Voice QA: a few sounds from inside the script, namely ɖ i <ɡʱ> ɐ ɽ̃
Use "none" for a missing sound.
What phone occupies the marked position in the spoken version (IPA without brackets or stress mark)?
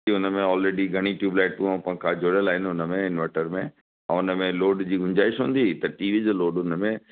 ɡʱ